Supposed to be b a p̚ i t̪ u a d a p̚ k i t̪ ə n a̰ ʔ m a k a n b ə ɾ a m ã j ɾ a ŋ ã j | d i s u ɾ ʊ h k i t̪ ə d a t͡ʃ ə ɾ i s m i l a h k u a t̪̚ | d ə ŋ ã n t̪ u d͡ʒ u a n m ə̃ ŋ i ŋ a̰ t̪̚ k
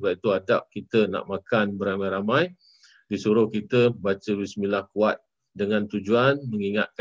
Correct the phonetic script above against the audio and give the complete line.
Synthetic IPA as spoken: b a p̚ i t̪ u a d a p̚ k i t̪ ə n a̰ ʔ m a k a n b ə ɾ a m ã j ɾ a m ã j | d i s u ɾ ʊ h k i t̪ ə b a t͡ʃ ə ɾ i s m i l a h k u a t̪̚ | d ə ŋ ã n t̪ u d͡ʒ u a n m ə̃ ŋ i ŋ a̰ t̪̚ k